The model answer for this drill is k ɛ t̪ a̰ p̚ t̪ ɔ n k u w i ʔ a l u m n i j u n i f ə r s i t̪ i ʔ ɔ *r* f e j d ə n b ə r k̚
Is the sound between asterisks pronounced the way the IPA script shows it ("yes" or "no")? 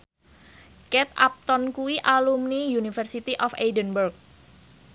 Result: no